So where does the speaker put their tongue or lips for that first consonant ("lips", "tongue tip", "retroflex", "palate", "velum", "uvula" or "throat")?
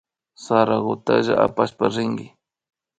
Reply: tongue tip